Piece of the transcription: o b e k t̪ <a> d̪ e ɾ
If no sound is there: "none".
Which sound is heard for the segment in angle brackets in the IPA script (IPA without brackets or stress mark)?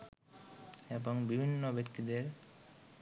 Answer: i